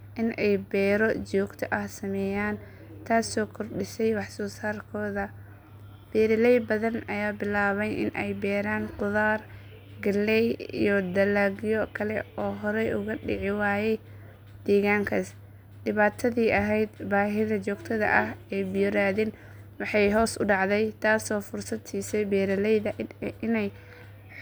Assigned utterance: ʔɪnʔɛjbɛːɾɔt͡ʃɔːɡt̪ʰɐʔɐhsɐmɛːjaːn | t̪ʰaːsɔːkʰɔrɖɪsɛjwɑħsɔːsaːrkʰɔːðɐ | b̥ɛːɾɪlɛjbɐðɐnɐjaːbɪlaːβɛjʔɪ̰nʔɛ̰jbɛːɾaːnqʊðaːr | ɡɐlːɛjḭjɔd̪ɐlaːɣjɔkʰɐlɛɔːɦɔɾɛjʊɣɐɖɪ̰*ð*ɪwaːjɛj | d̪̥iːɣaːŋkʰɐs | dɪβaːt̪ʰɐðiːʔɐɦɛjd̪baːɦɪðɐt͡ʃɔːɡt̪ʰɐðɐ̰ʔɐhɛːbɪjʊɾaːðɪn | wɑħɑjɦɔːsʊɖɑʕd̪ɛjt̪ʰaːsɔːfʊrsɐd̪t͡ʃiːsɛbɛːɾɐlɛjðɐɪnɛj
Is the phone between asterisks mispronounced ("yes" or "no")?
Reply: yes